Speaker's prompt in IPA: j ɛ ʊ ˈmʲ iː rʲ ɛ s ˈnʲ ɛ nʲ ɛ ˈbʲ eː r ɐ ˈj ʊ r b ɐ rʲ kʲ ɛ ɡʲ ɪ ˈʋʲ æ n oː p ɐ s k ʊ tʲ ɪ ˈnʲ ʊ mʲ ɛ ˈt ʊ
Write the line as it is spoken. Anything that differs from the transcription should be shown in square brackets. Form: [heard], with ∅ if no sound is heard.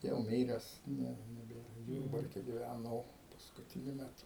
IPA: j ɛ ʊ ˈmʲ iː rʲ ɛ s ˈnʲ ɛ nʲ ɛ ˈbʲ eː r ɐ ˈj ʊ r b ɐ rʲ kʲ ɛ ɡʲ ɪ ˈʋʲ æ n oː p ɐ s k ʊ tʲ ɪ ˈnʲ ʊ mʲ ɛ ˈt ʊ

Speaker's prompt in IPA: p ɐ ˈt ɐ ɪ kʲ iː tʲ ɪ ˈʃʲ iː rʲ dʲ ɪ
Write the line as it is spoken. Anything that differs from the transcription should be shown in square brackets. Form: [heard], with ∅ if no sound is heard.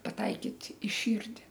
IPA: p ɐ ˈt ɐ ɪ kʲ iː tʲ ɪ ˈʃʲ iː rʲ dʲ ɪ

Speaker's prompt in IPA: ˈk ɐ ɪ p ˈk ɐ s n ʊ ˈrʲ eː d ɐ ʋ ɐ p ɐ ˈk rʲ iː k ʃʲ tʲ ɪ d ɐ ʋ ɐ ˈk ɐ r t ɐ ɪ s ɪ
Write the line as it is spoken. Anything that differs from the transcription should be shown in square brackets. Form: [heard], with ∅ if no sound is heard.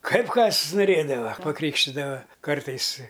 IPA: ˈk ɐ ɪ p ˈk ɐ s n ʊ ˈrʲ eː d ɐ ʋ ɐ p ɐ ˈk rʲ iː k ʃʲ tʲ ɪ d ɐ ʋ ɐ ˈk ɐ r t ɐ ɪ s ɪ

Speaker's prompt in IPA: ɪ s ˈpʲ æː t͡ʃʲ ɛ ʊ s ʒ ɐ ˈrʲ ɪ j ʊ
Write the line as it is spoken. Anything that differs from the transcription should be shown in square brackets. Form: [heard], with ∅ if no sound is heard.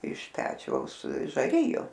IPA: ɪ [ʃ] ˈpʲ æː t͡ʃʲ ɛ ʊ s ʒ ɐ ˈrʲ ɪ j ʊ

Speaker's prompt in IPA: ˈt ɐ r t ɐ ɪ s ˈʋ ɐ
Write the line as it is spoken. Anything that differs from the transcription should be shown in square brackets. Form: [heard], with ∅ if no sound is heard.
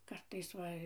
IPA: [ˈk] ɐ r t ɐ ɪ s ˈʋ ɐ

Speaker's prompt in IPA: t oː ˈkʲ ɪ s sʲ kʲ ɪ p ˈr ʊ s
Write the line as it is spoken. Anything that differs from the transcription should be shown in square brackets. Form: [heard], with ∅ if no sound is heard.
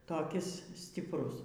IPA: t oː ˈkʲ ɪ s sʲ [tʲ] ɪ p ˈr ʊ s

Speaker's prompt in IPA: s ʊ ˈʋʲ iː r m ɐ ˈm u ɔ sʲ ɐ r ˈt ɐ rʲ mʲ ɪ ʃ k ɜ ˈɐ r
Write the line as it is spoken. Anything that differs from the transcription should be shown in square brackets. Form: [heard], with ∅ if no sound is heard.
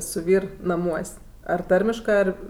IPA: s ʊ ˈʋʲ iː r [n] ɐ ˈm u ɔ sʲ ɐ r ˈt ɐ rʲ mʲ ɪ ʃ k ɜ ˈɐ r

